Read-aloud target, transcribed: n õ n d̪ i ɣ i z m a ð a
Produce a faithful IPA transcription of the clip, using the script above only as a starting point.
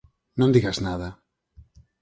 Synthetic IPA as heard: n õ n d̪ i ɣ a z n a ð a